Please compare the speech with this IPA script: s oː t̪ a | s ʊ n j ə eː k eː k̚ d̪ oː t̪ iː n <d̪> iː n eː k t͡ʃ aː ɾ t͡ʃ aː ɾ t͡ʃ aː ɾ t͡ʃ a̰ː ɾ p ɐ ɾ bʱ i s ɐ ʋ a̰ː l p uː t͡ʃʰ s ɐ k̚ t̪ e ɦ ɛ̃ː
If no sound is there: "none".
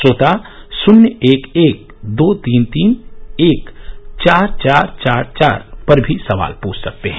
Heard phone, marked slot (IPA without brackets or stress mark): t̪